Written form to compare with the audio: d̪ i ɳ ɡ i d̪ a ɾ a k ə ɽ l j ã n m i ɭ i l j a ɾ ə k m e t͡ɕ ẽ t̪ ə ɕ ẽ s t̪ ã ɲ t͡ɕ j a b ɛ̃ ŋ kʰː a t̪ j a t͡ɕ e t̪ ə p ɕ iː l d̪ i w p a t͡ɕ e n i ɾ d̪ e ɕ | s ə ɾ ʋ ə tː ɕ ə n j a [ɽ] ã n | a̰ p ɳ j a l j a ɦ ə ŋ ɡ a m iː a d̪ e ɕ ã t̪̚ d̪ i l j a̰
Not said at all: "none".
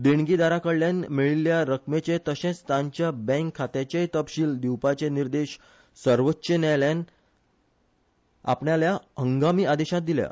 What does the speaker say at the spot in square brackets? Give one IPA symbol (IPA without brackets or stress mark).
l